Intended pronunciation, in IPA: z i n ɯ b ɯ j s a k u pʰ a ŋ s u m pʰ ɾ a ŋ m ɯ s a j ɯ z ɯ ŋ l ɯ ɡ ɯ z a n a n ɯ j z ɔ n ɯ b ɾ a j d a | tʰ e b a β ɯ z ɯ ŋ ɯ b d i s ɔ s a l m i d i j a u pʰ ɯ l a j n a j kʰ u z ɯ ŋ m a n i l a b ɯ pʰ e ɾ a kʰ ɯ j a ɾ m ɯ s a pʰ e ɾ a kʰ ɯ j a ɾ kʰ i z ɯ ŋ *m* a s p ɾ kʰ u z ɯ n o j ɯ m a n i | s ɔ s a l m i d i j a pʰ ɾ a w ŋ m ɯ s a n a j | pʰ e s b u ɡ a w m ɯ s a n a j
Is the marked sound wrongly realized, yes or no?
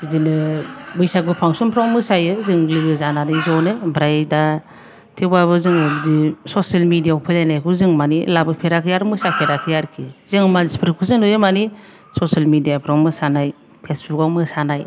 no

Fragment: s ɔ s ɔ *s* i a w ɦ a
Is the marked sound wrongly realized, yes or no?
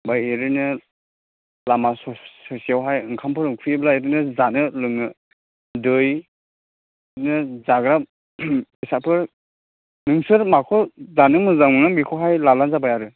no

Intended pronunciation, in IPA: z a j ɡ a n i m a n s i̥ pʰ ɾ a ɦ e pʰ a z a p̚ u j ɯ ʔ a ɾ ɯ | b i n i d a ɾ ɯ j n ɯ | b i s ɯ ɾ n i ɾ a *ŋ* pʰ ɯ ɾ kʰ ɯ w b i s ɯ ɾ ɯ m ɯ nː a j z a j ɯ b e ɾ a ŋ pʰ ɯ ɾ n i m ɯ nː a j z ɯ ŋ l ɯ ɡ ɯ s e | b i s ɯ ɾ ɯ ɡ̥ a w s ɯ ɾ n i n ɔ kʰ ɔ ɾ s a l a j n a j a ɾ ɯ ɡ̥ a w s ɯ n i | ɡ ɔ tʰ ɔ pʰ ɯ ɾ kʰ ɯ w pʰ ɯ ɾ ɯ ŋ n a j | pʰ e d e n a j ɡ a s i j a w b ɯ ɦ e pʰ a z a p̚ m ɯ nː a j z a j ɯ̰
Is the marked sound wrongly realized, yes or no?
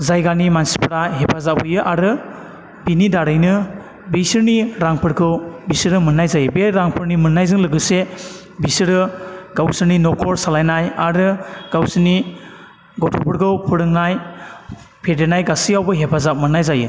no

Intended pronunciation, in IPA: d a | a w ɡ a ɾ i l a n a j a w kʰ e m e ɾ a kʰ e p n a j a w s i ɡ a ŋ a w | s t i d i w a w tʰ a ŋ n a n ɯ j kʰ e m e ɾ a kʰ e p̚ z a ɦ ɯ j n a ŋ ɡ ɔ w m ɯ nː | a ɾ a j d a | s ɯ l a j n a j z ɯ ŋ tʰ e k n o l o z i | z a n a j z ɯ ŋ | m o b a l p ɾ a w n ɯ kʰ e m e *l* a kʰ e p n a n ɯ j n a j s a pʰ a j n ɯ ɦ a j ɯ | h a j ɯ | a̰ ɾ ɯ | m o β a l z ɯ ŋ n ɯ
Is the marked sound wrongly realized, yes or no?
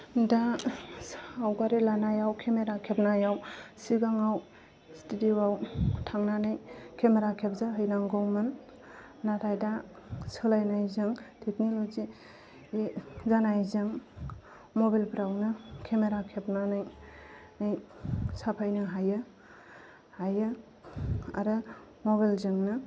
yes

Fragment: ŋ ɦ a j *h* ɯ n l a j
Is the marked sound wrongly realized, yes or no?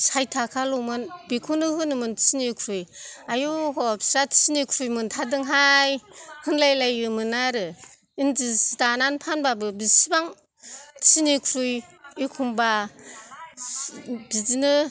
no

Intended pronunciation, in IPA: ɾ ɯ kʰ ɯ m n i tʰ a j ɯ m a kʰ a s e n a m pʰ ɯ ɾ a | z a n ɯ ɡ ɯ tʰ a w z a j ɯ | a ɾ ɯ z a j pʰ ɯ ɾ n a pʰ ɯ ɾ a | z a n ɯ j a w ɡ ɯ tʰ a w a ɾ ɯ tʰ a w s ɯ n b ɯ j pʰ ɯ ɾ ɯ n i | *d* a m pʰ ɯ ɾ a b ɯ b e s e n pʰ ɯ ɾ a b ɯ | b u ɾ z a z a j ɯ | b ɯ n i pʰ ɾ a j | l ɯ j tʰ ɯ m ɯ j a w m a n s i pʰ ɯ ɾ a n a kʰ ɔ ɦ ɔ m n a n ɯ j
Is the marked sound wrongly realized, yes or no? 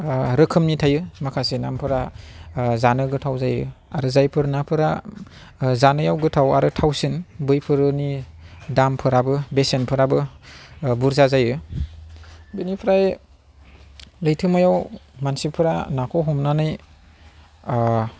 no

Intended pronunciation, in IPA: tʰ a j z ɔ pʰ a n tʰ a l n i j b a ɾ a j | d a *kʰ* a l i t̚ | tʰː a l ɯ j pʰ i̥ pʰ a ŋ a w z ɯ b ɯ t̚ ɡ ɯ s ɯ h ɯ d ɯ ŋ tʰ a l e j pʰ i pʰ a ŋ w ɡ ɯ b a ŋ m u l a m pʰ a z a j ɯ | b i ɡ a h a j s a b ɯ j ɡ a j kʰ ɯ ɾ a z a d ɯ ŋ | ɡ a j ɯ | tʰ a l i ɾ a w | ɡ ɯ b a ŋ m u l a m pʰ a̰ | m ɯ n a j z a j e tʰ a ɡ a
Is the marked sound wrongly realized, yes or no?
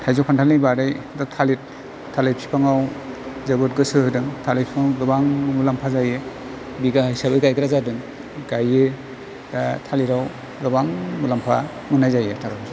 yes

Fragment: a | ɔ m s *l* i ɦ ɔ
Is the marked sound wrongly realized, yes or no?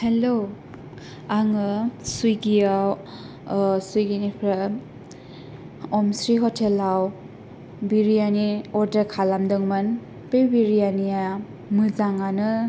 yes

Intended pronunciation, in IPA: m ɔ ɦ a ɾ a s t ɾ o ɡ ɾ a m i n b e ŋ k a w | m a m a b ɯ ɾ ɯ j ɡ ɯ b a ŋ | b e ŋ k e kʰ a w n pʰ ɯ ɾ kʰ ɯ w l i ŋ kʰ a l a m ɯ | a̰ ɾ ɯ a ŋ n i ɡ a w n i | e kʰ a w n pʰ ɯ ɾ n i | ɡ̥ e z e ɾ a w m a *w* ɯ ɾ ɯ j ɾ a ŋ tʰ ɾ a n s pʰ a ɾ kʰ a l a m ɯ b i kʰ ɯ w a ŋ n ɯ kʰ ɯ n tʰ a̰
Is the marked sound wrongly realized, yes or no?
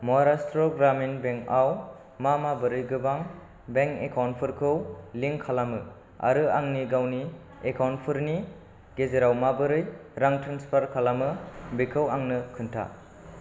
yes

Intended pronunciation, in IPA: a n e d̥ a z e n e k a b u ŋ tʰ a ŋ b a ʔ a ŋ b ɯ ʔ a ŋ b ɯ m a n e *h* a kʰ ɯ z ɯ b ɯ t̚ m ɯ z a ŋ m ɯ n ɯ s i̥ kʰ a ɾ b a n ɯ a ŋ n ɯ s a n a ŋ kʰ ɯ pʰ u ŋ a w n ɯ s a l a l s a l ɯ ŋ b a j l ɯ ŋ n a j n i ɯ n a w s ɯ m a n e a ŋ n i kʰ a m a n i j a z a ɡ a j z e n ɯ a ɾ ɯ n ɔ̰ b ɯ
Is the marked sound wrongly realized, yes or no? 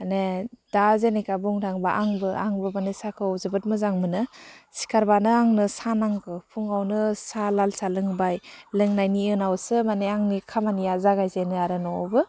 yes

